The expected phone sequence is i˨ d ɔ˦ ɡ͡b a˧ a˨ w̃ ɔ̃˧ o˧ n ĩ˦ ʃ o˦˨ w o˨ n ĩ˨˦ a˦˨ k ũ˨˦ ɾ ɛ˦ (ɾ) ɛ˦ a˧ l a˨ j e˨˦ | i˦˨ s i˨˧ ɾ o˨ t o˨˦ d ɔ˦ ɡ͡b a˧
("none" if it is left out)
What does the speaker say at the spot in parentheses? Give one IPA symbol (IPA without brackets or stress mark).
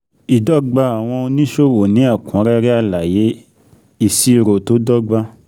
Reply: ɾ